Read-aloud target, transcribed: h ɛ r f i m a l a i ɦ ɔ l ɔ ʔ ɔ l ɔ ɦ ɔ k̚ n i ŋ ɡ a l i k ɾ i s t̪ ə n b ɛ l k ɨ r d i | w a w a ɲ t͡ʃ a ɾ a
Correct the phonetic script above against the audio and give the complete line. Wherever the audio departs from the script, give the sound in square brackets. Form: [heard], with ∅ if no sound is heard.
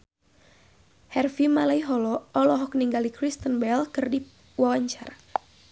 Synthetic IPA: h ɛ r f i m a l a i ɦ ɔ l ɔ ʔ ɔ l ɔ ɦ ɔ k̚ n i ŋ ɡ a l i k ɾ i s t̪ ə n b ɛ l k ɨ r d i | w a w a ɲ t͡ʃ a ɾ a